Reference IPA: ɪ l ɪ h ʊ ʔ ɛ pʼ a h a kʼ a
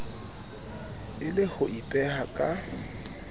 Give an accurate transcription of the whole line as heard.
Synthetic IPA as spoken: ɪ l ɪ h ʊ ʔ i pʼ ɛ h a kʼ a